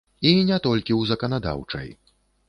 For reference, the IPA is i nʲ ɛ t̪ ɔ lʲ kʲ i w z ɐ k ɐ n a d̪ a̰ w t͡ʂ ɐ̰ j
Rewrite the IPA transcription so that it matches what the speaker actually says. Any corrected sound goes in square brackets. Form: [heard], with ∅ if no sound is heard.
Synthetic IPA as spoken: i nʲ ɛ t̪ ɔ lʲ kʲ i w z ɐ k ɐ n a d̪ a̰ w t͡ʂ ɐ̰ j